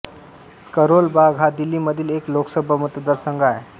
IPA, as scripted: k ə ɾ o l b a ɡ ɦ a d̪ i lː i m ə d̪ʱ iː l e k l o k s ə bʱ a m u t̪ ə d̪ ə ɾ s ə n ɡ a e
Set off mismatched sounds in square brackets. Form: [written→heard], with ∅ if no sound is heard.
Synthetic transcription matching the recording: k ə ɾ o l b a ɡ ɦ a d̪ i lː i m ə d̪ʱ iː l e k l o k s ə bʱ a m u t̪ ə d̪ ə ɾ s ə [n→ŋ] ɡ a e

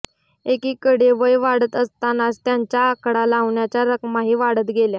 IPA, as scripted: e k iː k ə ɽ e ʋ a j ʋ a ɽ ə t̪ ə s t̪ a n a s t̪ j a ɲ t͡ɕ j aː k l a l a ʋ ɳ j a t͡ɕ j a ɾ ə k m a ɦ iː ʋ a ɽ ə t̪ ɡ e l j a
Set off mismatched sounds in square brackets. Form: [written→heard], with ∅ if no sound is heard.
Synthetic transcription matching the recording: e k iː k ə ɽ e ʋ [a→ə] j ʋ a ɽ ə t̪ ə s t̪ a n a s t̪ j a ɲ t͡ɕ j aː k [l→ɽ] a l a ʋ ɳ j a t͡ɕ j a ɾ ə k m a ɦ iː ʋ a ɽ ə t̪ ɡ e l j a

